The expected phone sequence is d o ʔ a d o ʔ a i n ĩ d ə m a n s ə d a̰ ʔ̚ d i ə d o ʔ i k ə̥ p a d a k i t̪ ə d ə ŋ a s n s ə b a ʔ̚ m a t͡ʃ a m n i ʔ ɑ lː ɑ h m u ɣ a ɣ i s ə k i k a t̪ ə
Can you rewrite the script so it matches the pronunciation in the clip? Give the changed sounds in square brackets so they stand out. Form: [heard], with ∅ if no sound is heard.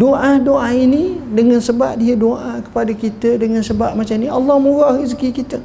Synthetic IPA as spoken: d o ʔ a d o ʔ a i n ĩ d ə [ŋ] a n s ə [b] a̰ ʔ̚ d i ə d o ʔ [a] k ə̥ p a d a k i t̪ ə d ə ŋ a [∅] n s ə b a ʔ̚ m a t͡ʃ a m n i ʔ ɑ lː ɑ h m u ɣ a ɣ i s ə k i k [i] t̪ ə